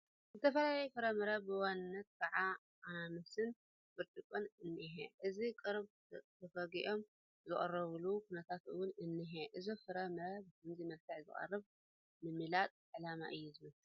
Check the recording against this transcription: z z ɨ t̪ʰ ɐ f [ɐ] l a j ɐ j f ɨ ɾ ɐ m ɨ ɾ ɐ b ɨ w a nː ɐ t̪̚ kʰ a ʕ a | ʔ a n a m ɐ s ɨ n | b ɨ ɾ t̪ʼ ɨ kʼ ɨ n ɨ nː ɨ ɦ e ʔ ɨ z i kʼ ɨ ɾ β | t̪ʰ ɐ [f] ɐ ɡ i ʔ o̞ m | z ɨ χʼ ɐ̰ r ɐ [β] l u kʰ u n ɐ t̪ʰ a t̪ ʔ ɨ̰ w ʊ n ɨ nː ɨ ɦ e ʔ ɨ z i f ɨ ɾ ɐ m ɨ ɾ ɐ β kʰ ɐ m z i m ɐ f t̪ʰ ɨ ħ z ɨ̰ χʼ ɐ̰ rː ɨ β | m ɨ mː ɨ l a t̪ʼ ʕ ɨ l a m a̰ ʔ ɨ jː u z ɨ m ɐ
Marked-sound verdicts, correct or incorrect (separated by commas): correct, correct, correct